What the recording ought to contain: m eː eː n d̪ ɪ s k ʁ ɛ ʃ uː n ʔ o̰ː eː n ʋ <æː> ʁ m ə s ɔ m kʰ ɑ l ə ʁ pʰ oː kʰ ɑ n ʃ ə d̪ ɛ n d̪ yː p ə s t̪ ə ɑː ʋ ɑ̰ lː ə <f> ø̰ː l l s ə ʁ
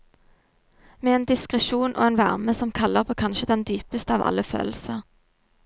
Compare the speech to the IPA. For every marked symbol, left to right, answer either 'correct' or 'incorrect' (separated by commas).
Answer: incorrect, correct